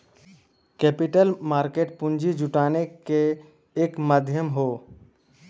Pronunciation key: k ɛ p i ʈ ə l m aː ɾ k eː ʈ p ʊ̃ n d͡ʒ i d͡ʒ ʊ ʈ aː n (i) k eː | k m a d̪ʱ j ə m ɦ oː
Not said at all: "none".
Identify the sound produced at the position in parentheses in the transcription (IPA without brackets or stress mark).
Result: e